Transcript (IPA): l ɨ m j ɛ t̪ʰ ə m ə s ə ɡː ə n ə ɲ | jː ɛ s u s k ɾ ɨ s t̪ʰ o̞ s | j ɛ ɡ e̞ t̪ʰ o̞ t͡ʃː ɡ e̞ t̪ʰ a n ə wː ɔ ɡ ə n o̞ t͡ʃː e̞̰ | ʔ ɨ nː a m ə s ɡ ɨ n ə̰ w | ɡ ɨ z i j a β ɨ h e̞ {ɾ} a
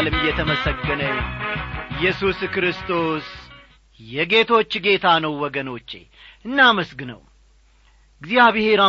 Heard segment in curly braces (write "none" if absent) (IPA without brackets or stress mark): ɾ